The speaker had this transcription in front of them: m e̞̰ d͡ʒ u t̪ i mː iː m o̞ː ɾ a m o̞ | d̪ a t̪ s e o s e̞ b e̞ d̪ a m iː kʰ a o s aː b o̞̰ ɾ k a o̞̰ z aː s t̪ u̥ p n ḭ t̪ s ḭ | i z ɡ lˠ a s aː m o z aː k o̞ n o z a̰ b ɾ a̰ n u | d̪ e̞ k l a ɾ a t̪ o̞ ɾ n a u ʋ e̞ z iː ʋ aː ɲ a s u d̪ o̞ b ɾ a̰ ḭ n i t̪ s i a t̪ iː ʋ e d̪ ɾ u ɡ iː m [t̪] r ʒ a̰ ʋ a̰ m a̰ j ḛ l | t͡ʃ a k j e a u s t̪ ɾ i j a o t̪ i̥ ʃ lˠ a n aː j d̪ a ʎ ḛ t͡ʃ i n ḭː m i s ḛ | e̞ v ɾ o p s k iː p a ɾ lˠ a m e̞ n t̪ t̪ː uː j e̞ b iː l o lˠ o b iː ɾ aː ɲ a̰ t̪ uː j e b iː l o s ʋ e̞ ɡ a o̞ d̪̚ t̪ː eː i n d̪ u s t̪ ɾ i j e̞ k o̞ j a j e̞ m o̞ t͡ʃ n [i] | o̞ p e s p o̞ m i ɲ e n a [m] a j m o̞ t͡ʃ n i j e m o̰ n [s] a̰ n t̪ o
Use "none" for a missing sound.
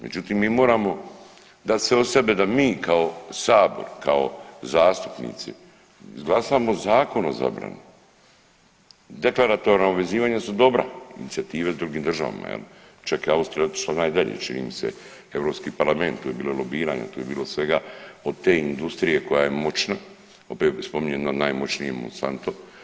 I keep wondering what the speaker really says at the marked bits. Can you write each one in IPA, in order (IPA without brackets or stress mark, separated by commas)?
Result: d̪, a, n, s